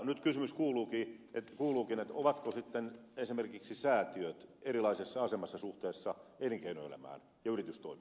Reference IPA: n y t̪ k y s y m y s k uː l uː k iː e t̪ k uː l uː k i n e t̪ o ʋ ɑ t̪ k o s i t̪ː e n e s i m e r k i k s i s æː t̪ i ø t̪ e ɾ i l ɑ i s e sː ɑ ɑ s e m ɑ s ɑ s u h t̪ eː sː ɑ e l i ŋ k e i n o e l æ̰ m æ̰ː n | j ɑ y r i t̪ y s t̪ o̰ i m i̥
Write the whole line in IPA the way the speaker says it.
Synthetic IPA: n y t̪ k y s y m y s k uː l uː k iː e t̪ k uː l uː k i n e t̪ o ʋ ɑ t̪ k o s i t̪ː e n e s i m e r k i k s i s æː t̪ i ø t̪ e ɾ i l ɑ i s e sː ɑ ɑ s e m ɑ sː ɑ s u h t̪ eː sː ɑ e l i ŋ k e i n o e l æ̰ m æ̰ː n | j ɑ y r i t̪ y s t̪ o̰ i m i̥

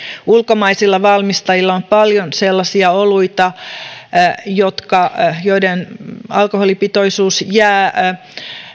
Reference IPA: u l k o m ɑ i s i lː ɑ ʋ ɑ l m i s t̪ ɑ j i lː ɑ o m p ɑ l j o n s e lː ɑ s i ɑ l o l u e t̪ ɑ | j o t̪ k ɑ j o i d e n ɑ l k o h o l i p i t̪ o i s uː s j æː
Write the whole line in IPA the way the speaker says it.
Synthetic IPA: u l k o m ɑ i s i lː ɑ ʋ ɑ l m i s t̪ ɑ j i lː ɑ o m p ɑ l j o n s e lː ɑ s i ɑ o l u i t̪ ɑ | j o t̪ k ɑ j o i d e n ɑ l k o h o l i p i t̪ o i s uː s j æː

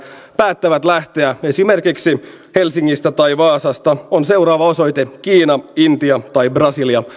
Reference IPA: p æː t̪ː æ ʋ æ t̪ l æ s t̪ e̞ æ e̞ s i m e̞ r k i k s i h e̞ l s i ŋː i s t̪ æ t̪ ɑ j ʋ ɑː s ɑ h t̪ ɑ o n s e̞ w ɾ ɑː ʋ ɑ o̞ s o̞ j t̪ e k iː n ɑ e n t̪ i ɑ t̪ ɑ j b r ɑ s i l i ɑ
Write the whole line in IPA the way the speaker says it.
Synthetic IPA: p æː t̪ː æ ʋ æ t̪ l æ h t̪ e̞ æ e̞ s i m e̞ r k i k s i h e̞ l s i ŋː i s t̪ æ t̪ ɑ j ʋ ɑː s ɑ s t̪ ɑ o n s e̞ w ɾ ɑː ʋ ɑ o̞ s o̞ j t̪ e k iː n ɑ i n t̪ i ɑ t̪ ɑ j b r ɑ s i l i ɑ

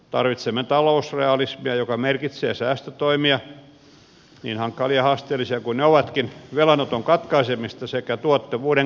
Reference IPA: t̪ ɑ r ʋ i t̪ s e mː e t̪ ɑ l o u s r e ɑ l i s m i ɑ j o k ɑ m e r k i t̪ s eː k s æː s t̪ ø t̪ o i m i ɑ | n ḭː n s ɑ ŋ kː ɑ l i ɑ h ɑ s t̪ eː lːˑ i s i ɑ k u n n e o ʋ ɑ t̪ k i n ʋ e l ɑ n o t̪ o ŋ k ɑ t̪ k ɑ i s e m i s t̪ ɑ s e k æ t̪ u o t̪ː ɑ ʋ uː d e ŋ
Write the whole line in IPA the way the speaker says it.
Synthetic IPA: t̪ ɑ r ʋ i t̪ s e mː e t̪ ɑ l o u s r e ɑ l i s m i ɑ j o k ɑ m e r k i t̪ s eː s æː s t̪ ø t̪ o i m i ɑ | n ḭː n h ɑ ŋ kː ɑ l i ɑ h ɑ s t̪ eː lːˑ i s i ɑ k u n n e o ʋ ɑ t̪ k i n ʋ e l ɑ n o t̪ o ŋ k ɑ t̪ k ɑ i s e m i s t̪ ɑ s e k æ t̪ u o t̪ː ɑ ʋ uː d e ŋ

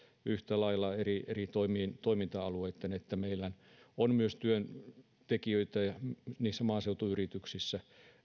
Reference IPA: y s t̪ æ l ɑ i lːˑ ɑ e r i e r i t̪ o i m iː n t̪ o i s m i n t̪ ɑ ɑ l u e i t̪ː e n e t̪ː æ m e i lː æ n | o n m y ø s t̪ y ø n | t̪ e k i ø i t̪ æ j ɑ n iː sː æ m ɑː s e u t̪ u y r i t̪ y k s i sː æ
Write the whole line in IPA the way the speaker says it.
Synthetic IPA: y h t̪ æ l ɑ i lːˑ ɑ e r i e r i t̪ o i m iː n t̪ o i m i n t̪ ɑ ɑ l u e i t̪ː e n e t̪ː æ m e i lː æ n | o n m y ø s t̪ y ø n | t̪ e k i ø i t̪ æ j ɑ n iː sː æ m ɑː s e u t̪ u y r i t̪ y k s i sː æ

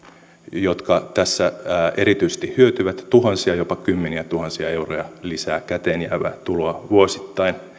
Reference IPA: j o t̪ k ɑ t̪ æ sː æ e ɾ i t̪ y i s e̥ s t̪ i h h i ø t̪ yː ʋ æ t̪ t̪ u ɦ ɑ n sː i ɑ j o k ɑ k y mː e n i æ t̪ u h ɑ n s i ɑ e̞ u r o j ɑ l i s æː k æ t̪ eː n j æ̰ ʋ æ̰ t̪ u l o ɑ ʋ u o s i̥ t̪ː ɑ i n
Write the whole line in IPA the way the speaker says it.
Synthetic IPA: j o t̪ k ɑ t̪ æ sː æ e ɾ i t̪ y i s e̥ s t̪ i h h y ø t̪ y ʋ æ t̪ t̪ u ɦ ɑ n s i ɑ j o p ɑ k y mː e n i æ t̪ u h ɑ n s i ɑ e̞ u r o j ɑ l i s æː k æ t̪ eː n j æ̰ ʋ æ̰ t̪ u l o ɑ ʋ u o s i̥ t̪ː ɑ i n

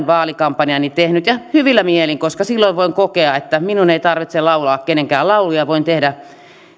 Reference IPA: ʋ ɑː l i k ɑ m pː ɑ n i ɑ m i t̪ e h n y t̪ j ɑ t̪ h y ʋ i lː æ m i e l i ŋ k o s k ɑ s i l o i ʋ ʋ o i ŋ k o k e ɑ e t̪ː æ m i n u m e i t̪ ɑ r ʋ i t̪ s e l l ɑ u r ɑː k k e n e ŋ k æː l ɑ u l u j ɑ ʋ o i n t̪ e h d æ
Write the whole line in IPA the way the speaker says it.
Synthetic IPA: ʋ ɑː l i k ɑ m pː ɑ n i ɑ n i t̪ e h n y t̪ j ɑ h y ʋ i lː æ m i e l i ŋ k o s k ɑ s i lː o i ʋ ʋ o i ŋ k o k e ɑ e t̪ː æ m i n u n e i t̪ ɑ r ʋ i t̪ s e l l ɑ u l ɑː k k e n e ŋ k æː l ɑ u l u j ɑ ʋ o i n t̪ e h d æ

